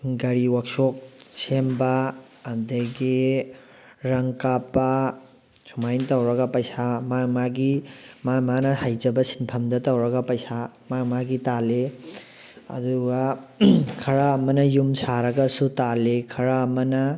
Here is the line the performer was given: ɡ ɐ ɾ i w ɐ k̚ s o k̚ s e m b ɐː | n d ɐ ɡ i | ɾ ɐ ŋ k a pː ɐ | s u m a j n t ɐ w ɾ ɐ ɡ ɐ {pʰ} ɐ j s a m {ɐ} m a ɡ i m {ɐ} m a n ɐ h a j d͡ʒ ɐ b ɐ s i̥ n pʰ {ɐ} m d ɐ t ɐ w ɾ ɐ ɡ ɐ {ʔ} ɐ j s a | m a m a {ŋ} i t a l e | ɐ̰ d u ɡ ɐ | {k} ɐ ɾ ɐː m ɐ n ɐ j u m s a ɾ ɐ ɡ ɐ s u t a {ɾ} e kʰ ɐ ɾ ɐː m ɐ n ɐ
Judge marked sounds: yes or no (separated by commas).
no, no, no, yes, no, no, no, no